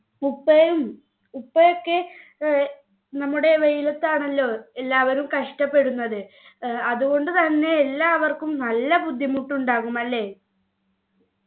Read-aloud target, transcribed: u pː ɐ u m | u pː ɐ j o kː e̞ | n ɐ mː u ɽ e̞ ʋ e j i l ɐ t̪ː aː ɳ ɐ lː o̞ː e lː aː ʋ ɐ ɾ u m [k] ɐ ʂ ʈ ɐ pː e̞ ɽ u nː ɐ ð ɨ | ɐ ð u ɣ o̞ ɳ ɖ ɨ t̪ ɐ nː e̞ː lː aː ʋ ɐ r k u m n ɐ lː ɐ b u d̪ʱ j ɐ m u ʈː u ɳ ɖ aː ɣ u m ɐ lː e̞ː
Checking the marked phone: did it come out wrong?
no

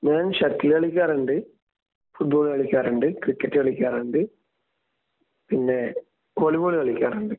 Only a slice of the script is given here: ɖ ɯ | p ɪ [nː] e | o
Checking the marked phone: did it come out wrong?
no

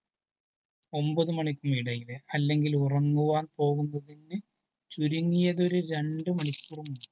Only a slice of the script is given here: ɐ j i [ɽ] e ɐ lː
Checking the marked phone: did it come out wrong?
yes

